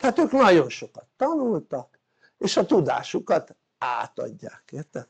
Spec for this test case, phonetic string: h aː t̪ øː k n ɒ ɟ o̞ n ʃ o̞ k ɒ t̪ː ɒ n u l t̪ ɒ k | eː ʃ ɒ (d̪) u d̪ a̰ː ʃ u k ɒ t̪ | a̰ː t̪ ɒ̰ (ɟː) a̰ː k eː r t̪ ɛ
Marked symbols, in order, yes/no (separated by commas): no, yes